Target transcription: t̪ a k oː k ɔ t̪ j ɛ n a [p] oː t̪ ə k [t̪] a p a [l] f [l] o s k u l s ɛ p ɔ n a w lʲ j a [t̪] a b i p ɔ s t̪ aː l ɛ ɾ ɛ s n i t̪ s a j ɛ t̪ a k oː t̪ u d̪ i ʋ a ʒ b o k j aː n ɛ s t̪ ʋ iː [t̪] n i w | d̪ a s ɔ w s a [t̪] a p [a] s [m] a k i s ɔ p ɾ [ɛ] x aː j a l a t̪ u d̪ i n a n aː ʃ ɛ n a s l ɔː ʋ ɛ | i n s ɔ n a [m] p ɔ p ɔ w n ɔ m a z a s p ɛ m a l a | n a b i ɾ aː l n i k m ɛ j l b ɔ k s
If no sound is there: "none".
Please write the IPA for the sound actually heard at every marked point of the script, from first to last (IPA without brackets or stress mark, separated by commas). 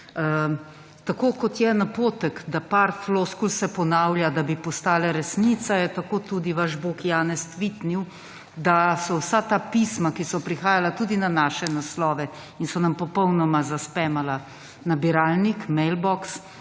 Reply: p, d̪, ɾ, l, d̪, t̪, t̪, i, m, i, m